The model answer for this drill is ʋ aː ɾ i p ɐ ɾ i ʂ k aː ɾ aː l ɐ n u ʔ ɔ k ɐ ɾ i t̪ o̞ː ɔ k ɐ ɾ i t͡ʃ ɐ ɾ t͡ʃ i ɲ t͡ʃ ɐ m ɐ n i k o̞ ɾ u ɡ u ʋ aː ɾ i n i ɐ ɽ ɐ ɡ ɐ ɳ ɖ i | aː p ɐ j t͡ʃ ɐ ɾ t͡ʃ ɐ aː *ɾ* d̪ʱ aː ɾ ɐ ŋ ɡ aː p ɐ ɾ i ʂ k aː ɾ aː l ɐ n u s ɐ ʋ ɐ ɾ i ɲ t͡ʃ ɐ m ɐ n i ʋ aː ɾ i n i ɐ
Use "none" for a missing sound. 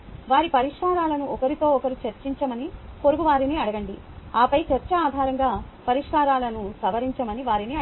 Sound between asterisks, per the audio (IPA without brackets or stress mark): none